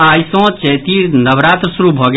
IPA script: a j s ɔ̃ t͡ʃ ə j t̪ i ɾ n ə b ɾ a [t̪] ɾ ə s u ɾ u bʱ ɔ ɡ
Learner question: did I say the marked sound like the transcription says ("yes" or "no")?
yes